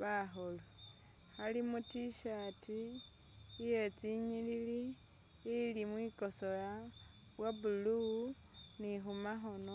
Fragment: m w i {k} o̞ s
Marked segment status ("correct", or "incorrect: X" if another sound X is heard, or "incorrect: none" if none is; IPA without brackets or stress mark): correct